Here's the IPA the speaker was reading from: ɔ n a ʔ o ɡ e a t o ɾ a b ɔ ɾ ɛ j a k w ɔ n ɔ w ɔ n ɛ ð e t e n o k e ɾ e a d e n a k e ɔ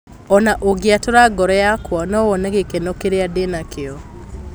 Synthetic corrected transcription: ɔ n a ʔ o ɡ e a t o ɾ a ɡ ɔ ɾ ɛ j a k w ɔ n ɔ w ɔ n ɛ ɣ e k e n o k e ɾ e a d e n a k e ɔ